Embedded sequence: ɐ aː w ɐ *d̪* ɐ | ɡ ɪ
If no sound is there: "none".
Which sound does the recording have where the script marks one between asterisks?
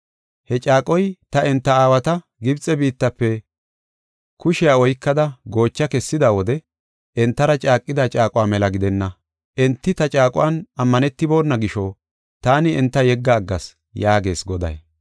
t̪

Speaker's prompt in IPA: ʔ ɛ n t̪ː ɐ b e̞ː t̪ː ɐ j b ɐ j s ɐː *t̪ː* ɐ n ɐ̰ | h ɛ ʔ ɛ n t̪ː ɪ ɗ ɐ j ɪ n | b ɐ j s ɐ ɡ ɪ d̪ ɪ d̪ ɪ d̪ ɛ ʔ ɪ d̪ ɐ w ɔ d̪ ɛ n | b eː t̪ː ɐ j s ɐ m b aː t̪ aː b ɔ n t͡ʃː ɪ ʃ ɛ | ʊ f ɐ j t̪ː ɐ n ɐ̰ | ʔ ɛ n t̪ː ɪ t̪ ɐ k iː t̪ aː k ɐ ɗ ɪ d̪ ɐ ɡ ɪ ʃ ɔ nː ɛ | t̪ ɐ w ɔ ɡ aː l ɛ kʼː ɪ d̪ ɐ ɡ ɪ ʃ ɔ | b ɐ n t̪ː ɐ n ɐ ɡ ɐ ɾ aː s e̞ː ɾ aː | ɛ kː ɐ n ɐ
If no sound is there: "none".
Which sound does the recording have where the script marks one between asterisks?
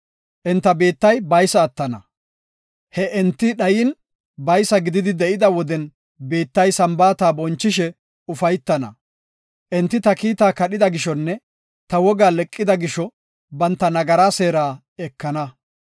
t̪ː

